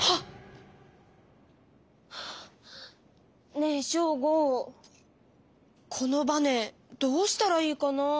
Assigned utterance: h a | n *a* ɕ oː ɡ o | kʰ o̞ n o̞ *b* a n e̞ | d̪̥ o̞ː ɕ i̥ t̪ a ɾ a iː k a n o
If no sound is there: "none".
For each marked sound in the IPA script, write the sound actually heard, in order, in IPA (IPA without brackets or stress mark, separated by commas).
e, b